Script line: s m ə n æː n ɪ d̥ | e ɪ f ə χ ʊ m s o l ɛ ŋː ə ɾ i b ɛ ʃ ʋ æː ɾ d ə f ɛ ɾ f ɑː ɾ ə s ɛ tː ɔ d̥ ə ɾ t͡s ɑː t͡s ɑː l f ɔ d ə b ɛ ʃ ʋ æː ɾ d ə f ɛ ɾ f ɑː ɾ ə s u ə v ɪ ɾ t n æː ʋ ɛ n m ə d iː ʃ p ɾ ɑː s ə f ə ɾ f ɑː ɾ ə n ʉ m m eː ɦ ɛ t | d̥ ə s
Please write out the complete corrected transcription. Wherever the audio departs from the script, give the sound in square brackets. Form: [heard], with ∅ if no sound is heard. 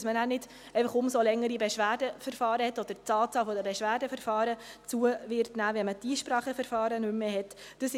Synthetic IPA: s m ə n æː n ɪ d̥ | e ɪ f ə χ ʊ m s o l ɛ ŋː ə ɾ i b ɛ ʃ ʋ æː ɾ d ə f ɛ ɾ f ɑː ɾ ə [h] ɛ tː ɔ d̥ ə ɾ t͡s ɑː t͡s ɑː l f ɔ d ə b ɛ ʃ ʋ æː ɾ d ə f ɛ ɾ f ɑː ɾ ə [t͡s] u ə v ɪ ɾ t n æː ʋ ɛ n m ə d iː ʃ p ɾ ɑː [χ] ə f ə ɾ f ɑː ɾ ə n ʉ m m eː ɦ ɛ t | d̥ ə s